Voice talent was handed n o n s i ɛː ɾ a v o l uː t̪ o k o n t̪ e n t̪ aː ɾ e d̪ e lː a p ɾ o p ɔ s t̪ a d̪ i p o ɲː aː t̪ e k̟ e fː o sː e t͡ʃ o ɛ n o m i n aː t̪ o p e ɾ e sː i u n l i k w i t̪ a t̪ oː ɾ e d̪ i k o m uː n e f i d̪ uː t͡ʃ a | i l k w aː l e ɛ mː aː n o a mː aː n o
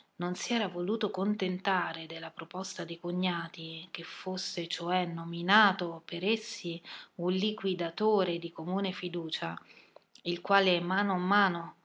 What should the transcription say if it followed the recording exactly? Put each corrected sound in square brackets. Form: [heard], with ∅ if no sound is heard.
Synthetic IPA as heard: n o n s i ɛː ɾ a v o l uː t̪ o k o n t̪ e n t̪ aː ɾ e d̪ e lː a p ɾ o p ɔ s t̪ a d̪ i [k] o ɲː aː t̪ [i] k̟ e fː o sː e t͡ʃ o ɛ n o m i n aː t̪ o p e ɾ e sː i u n l i k w i [d̪] a t̪ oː ɾ e d̪ i k o m uː n e f i d̪ uː t͡ʃ a | i l k w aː l e ɛ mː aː n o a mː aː n o